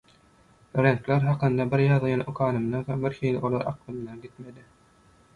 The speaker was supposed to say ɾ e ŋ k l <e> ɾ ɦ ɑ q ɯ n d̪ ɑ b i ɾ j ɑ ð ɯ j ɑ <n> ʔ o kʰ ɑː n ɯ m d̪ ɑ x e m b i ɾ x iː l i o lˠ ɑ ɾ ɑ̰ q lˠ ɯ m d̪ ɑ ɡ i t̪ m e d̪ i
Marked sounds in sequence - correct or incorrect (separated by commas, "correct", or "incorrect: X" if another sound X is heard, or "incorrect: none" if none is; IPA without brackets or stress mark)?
correct, correct